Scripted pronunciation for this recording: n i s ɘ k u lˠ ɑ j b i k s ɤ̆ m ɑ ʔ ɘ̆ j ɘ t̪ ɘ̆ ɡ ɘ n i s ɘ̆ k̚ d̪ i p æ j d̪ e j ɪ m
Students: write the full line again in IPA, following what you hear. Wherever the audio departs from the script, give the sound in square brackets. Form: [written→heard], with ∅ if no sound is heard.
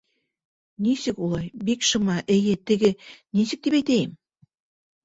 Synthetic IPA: n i s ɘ k u lˠ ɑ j b i k [s→ʃ] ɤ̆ m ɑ ʔ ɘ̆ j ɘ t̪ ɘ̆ ɡ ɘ n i s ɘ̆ k̚ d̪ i p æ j [d̪→t̪] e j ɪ m